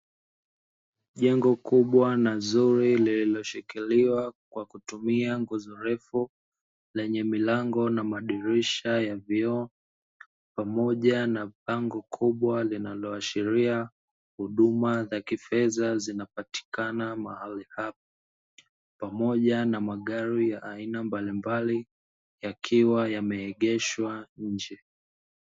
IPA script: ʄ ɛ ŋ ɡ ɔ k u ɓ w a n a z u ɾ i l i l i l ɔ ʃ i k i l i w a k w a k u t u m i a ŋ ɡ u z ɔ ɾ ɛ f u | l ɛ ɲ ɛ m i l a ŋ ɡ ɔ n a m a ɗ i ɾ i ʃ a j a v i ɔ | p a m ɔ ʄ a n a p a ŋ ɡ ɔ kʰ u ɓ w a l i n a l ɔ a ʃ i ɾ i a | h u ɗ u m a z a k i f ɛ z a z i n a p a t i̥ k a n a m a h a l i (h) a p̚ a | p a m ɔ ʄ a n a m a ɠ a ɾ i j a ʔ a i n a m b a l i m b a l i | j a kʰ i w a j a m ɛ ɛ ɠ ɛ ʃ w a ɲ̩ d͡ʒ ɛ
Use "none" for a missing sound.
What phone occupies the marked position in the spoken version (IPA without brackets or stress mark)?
h